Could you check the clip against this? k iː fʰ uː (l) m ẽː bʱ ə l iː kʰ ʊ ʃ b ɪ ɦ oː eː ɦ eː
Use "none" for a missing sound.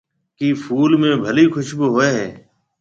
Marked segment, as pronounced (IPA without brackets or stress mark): l